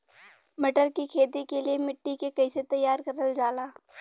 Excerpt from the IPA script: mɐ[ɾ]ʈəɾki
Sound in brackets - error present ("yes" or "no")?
yes